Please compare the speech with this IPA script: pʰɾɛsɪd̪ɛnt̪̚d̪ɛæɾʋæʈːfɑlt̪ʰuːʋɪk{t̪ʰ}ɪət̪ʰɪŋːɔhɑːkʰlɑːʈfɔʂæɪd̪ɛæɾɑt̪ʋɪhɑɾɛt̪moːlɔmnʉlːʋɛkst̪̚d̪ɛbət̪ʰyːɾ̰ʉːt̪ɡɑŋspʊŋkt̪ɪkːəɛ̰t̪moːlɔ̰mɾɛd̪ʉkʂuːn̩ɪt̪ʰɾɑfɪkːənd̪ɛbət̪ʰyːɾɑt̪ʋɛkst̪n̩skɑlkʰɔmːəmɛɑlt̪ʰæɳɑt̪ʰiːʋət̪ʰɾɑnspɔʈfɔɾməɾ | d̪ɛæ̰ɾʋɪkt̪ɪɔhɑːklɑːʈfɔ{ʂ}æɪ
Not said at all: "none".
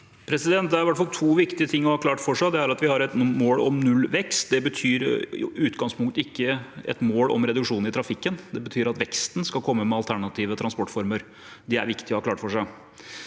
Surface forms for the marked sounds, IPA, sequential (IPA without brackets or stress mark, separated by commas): t̪, ʂ